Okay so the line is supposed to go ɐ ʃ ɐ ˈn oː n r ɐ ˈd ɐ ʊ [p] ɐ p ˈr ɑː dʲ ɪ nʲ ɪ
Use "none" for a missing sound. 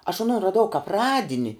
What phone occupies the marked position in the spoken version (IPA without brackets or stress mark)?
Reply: k